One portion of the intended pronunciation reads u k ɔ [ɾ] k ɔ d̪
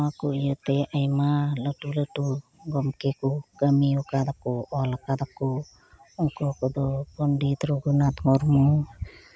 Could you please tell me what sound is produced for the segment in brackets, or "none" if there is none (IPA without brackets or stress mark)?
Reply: none